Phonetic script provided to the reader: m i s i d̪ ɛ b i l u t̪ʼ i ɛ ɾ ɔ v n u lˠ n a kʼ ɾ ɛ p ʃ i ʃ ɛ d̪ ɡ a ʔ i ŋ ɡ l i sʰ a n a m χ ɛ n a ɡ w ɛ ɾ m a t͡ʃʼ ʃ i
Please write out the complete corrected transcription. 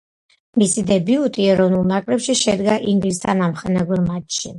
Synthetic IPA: m i s i d̪ ɛ b i u t̪ʼ i ɛ ɾ ɔ v n u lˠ n a kʼ ɾ ɛ p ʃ i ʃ ɛ d̪ ɡ a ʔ i ŋ ɡ l i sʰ a n a m χ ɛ n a ɡ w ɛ ɾ m a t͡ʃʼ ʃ i